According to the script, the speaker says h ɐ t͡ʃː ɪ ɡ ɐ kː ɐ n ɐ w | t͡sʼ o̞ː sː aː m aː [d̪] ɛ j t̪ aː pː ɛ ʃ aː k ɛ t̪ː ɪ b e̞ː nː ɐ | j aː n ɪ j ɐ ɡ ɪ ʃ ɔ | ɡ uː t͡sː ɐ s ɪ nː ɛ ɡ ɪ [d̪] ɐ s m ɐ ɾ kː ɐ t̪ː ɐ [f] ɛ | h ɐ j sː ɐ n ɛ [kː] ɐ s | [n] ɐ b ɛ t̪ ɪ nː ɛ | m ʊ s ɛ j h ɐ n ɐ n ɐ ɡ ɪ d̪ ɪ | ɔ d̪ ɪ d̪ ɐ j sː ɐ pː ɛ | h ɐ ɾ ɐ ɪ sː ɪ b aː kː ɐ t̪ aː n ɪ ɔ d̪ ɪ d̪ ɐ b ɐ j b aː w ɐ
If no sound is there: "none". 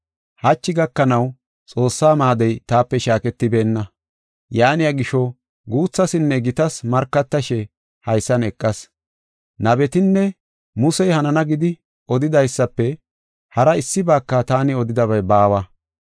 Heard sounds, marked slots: d̪, t̪, ʃ, kʼː, n

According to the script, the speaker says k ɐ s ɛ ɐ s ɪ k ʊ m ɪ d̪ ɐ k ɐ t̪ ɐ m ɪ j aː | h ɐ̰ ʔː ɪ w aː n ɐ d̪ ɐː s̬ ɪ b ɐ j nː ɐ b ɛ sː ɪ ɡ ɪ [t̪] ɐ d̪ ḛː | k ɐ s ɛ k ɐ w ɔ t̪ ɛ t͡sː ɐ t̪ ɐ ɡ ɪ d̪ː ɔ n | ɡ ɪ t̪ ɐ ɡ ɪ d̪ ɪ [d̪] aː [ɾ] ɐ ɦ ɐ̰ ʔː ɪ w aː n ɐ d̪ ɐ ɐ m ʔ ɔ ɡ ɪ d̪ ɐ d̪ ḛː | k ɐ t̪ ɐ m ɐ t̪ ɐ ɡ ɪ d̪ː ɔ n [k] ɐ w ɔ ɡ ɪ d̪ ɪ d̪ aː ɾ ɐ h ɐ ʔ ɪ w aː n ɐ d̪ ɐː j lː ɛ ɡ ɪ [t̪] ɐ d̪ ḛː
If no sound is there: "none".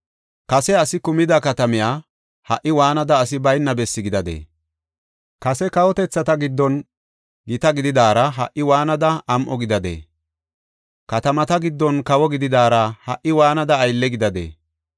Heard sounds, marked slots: d̪, d̪, ɾ, k, d̪

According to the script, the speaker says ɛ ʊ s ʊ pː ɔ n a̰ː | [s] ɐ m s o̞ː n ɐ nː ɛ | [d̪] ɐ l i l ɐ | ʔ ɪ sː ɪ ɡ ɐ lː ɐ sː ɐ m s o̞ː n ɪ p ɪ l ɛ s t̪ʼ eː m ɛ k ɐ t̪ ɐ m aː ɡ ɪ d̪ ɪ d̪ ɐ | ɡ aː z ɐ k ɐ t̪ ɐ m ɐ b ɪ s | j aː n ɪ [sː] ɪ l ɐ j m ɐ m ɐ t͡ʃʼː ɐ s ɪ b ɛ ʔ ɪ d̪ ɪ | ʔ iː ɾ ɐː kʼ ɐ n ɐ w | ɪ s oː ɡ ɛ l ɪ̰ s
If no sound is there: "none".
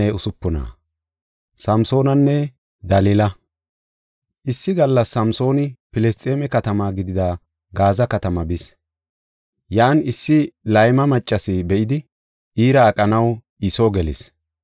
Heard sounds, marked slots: s, d̪, sː

